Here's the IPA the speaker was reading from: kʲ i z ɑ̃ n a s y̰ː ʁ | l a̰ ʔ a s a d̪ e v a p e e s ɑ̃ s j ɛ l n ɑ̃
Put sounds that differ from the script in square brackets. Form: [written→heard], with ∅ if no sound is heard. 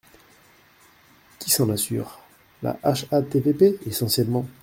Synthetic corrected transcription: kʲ i [z→s] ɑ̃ n a s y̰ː ʁ | l a̰ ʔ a [s→ʃ] a [d̪→t̪] e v [a→e] p e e s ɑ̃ s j ɛ l [n→m] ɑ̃